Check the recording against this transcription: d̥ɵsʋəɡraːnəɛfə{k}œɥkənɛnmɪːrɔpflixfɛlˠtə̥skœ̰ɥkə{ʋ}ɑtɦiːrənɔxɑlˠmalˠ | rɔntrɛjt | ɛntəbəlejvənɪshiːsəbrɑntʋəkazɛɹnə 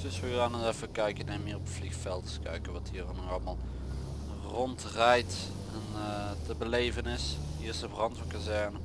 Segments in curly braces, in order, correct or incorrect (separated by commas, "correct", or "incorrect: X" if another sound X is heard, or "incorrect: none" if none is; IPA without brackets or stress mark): correct, correct